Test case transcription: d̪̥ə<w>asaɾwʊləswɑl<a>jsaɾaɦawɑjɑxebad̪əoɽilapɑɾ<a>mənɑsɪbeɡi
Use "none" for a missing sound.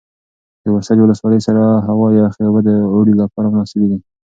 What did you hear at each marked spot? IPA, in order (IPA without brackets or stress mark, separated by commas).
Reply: w, ə, a